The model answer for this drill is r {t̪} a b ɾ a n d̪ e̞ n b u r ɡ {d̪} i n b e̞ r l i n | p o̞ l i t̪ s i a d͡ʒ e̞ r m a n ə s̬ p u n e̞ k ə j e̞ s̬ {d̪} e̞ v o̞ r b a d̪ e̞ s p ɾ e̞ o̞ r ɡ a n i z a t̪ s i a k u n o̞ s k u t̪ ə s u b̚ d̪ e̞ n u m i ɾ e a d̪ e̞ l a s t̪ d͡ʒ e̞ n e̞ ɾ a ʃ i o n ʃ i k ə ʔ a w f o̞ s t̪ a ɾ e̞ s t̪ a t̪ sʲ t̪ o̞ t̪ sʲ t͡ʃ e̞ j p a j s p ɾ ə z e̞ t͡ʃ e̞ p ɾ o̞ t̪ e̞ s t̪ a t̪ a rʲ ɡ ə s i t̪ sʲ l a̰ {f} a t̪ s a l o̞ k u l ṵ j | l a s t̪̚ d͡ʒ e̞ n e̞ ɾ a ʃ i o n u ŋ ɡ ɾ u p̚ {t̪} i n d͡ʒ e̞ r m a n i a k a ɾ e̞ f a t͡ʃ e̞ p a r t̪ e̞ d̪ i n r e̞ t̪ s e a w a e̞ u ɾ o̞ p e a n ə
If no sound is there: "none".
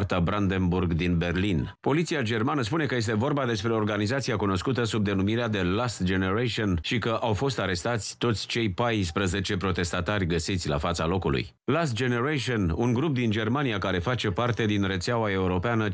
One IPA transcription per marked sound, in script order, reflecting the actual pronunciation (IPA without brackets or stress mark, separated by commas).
t̪, d̪, t̪, f, d̪